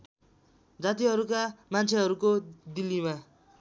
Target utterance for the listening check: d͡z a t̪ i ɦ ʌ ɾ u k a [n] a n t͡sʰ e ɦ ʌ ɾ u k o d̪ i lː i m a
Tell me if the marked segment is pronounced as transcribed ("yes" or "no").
no